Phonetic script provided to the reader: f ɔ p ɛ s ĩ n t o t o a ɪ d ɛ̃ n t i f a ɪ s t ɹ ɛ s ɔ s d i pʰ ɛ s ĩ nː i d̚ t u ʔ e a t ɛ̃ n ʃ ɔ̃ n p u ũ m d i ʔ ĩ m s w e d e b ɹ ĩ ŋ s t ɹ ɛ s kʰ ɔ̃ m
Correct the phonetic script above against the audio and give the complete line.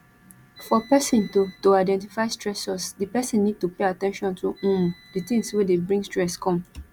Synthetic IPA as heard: f ɔ p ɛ s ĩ n t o t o a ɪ d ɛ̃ n t i f a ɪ s t ɹ ɛ s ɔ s d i p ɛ s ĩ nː i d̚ t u p e a t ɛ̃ n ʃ ɔ̃ n t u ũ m d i t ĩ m s w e d e b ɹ ĩ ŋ s t ɹ ɛ s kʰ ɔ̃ m